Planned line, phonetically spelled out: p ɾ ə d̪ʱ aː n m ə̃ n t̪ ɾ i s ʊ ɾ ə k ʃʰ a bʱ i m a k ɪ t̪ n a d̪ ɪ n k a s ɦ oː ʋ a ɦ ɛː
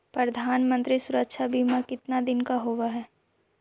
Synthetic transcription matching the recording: p ɾ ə d̪ʱ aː n m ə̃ n t̪ ɾ i s ʊ ɾ ə k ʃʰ a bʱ i m a k ɪ t̪ n a d̪ ɪ n k a ɦ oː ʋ a ɦ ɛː